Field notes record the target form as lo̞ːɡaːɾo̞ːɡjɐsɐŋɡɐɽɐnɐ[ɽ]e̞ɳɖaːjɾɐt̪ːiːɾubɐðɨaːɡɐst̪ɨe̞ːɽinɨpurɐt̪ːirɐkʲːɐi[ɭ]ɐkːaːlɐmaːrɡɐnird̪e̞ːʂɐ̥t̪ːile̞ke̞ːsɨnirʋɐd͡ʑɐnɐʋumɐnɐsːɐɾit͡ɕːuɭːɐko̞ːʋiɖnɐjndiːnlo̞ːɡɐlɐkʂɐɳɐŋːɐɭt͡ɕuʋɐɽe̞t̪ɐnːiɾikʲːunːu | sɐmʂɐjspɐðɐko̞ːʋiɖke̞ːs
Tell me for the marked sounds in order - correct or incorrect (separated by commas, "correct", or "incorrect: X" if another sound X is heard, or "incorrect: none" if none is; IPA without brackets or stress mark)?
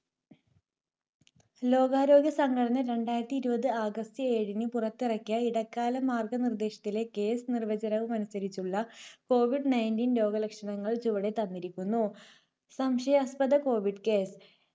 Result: incorrect: ɾ, incorrect: ɽ